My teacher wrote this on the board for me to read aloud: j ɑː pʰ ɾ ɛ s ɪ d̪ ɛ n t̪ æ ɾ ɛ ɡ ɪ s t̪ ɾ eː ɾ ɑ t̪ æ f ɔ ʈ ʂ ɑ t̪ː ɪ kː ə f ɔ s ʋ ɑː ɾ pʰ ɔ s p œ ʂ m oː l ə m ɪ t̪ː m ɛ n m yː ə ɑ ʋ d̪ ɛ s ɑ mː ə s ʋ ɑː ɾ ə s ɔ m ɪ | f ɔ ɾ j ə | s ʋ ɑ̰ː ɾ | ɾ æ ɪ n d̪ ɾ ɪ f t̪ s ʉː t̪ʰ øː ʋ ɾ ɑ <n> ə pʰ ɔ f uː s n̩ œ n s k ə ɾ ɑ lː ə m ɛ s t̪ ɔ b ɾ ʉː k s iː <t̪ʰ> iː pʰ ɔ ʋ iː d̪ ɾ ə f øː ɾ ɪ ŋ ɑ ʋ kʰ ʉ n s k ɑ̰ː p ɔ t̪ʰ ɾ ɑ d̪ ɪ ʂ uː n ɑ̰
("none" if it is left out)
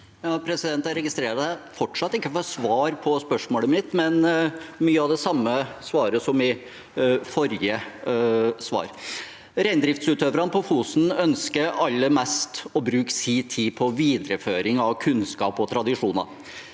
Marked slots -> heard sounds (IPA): n, t̪ʰ

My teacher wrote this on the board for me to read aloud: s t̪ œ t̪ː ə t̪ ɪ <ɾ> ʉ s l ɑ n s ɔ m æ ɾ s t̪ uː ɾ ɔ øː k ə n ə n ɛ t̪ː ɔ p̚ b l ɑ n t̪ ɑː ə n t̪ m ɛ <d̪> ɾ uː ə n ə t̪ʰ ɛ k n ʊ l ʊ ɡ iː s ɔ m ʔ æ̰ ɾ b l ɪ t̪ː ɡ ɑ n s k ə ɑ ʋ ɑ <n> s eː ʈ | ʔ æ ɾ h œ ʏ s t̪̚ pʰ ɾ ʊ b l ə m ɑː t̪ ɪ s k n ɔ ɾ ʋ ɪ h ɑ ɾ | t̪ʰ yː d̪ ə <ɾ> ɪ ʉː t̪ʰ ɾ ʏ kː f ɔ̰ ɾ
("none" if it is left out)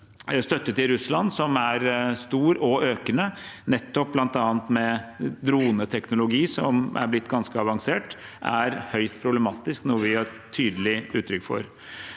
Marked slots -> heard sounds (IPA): ɾ, d̪, ŋ, l

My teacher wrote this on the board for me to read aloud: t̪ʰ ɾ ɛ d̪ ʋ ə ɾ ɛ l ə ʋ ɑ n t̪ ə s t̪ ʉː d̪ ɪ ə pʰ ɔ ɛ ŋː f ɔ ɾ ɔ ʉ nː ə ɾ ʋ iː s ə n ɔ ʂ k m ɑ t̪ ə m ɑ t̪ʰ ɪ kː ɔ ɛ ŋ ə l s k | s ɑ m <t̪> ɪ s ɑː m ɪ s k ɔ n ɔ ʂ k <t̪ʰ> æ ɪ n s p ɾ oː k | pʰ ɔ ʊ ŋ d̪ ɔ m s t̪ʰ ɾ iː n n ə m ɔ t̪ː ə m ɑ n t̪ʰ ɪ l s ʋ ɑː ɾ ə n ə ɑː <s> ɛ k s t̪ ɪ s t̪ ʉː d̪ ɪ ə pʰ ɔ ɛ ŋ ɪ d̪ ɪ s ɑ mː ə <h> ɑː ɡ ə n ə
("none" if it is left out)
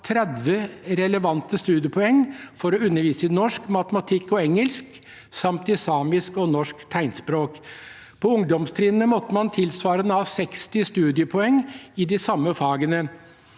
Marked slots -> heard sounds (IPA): t̪, t̪ʰ, s, f

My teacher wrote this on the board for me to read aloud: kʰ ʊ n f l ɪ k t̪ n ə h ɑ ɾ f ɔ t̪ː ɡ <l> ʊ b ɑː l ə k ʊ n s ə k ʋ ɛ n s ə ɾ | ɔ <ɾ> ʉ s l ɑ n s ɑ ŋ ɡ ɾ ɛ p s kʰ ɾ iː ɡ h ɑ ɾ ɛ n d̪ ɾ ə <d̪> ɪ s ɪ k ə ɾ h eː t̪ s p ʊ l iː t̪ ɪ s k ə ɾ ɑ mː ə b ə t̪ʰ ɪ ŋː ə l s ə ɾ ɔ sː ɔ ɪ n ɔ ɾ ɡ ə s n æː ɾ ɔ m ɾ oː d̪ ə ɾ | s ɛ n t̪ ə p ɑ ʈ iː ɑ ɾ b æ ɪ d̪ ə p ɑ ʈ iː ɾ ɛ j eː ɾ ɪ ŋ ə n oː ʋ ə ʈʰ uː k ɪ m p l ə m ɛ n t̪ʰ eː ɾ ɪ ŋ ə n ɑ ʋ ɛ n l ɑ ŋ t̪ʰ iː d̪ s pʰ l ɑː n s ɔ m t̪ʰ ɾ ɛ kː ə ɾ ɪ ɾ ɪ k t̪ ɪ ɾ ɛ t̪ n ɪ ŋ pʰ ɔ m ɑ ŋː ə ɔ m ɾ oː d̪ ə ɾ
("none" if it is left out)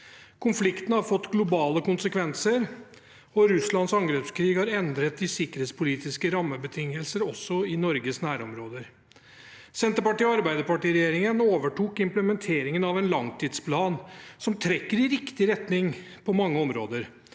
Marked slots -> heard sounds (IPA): l, ɾ, t̪

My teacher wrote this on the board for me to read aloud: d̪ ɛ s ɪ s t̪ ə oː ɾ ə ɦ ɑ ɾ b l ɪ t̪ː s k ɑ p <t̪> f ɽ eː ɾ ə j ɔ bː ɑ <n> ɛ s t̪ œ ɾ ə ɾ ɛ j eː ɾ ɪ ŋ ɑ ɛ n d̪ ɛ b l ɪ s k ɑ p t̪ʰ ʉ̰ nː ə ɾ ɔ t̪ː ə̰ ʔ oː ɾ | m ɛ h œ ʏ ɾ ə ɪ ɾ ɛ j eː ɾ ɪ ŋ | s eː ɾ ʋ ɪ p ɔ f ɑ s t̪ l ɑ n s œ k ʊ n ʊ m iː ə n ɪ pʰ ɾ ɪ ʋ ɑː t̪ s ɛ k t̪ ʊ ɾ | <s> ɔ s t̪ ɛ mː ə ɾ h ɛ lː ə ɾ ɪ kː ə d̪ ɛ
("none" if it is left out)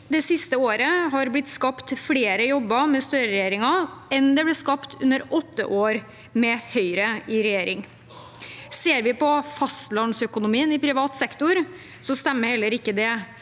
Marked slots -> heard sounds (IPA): t̪, m, s

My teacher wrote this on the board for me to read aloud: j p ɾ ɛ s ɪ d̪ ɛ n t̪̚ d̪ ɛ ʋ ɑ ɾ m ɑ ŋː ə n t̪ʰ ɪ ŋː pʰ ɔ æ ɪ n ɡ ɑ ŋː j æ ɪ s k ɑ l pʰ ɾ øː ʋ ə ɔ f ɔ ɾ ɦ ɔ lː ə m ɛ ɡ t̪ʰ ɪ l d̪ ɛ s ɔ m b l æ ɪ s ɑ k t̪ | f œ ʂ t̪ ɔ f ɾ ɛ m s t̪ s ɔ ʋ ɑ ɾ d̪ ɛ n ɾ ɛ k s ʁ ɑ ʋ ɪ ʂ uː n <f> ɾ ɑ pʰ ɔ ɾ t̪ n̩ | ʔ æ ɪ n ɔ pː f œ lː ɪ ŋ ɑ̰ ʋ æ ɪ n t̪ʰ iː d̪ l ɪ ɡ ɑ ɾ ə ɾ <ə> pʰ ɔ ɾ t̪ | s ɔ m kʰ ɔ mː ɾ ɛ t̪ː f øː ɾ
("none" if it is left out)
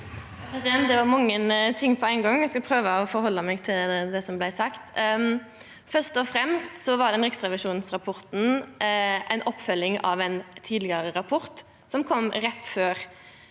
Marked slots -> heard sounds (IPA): s, ɑ

